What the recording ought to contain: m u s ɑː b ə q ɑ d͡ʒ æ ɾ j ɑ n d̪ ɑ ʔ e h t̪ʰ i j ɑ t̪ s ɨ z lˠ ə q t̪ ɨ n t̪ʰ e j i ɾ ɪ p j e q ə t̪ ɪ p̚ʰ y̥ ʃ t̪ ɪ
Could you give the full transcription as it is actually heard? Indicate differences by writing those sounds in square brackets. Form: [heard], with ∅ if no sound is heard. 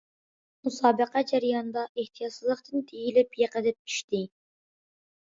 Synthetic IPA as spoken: m u s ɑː b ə q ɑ d͡ʒ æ ɾ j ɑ n d̪ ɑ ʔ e h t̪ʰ i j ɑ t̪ s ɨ z lˠ ə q t̪ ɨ n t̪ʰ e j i [l] ɪ p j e q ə [d̪] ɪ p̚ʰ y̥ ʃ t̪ ɪ